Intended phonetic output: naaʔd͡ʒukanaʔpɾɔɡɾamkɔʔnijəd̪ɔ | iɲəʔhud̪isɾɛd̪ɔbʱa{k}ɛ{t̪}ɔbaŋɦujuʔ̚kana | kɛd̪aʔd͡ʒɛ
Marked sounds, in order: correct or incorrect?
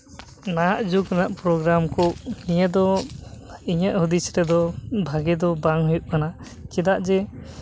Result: incorrect, incorrect

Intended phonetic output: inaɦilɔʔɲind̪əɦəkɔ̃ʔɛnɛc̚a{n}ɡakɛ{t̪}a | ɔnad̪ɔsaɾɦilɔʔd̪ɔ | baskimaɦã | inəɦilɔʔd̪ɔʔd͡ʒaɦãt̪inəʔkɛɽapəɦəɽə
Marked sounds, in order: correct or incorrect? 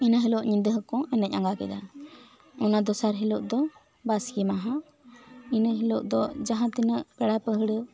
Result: incorrect, incorrect

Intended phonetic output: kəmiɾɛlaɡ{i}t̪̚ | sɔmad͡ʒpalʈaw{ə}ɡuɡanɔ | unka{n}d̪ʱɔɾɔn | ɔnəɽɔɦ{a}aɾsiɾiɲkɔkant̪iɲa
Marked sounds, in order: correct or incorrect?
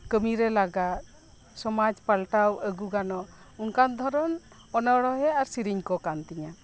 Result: incorrect, correct, correct, incorrect

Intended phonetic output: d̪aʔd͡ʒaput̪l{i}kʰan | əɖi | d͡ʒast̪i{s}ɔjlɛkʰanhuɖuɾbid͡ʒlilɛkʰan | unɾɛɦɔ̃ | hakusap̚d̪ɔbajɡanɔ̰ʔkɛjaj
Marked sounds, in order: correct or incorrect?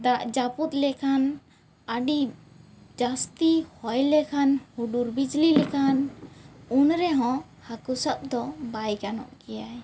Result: incorrect, incorrect

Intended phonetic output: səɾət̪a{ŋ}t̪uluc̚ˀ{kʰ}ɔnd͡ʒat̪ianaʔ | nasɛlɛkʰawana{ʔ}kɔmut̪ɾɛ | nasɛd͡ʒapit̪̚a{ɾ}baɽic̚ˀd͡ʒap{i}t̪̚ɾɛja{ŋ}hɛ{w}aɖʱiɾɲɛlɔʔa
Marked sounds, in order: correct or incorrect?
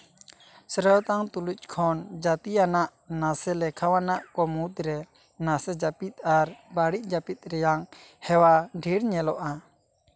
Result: correct, correct, correct, correct, correct, correct, correct

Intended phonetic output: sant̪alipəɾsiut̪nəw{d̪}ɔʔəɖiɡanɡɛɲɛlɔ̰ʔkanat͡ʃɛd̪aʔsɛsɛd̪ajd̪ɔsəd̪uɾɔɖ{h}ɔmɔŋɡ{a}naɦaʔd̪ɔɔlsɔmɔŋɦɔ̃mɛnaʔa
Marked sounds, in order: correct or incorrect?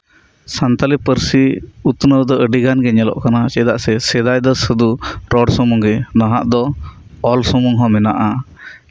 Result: correct, incorrect, incorrect

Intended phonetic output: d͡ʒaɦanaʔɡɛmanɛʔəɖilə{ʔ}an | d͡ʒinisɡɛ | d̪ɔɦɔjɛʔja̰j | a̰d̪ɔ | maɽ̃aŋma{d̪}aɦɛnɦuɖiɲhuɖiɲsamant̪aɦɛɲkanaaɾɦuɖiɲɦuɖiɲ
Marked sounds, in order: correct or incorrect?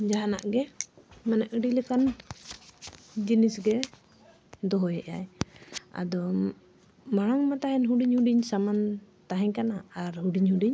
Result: incorrect, incorrect

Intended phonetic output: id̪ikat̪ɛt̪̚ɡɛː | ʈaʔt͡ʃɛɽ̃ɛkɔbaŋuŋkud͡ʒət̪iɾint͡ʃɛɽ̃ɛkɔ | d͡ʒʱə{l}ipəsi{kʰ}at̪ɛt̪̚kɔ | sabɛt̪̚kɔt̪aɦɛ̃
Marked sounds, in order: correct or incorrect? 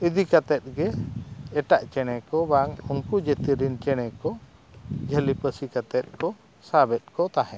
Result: correct, incorrect

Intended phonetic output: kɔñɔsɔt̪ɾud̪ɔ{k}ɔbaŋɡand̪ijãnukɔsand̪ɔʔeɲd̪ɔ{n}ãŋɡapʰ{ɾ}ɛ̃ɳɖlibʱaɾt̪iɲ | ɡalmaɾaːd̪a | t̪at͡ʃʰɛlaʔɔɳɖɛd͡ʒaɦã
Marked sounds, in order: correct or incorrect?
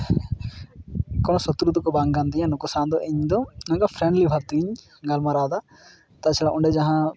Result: correct, correct, correct

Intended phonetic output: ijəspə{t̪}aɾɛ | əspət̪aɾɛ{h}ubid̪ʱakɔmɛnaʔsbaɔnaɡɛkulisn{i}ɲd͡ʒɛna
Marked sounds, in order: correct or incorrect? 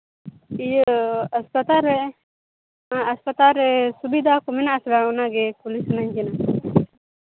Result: correct, incorrect, incorrect

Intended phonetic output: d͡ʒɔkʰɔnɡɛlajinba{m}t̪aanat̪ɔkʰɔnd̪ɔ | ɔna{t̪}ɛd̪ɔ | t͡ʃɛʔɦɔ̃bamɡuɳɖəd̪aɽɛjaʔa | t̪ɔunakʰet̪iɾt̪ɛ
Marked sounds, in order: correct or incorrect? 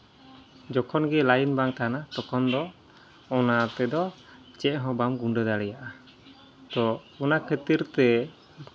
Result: incorrect, correct

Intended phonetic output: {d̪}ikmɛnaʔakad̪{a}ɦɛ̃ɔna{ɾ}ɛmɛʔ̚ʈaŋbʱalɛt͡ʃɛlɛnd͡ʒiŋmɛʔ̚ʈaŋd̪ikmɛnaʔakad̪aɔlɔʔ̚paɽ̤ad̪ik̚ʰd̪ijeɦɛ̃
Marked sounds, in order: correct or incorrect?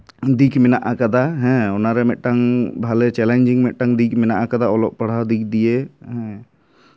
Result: correct, correct, correct

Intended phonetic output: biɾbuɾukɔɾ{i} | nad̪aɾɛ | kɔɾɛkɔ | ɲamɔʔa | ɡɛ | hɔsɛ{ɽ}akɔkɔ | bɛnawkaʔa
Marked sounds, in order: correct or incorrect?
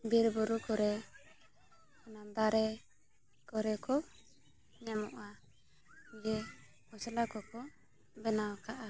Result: incorrect, incorrect

